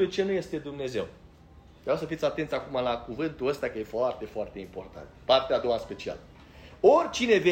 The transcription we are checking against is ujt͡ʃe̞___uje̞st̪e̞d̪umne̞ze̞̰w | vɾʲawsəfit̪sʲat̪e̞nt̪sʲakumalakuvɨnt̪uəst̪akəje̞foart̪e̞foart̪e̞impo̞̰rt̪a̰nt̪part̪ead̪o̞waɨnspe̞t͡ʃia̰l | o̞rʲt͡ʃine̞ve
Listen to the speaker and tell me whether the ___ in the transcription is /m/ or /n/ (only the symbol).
n